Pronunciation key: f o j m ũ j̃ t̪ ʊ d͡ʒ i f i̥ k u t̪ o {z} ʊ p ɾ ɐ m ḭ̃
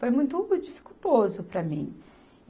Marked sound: correct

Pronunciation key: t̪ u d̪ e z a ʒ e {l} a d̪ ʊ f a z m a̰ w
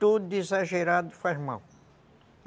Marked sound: incorrect: ɾ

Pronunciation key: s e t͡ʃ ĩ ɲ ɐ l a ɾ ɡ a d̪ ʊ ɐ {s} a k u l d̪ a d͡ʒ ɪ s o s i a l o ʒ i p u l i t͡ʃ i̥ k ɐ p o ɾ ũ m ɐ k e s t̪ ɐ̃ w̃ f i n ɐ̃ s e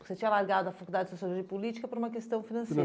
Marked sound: incorrect: f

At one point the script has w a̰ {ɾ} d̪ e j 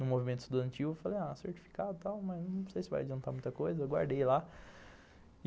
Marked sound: correct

